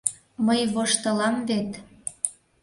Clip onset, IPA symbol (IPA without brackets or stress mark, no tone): m